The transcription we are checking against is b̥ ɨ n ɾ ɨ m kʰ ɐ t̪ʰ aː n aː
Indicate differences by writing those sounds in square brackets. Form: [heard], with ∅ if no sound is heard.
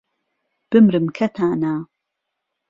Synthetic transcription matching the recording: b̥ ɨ [m] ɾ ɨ m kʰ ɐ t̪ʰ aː n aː

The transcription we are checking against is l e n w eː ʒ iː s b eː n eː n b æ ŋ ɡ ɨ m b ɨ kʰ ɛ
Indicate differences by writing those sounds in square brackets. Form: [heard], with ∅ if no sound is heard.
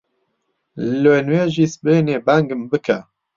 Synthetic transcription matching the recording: l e n w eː ʒ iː s b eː n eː [∅] b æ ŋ ɡ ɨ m b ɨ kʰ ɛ

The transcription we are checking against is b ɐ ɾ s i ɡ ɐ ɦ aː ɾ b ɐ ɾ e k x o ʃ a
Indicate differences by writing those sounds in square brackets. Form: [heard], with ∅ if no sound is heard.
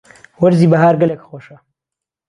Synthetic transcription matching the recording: [w] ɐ ɾ [z] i [b] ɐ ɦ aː ɾ [ɡ] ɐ [l] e k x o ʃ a

